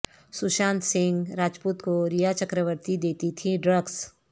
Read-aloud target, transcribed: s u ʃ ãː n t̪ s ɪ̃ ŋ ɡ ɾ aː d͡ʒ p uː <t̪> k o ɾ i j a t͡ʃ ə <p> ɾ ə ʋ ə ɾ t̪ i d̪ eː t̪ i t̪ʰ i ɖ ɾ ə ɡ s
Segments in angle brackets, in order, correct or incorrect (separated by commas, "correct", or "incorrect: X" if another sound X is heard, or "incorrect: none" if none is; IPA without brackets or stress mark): correct, incorrect: k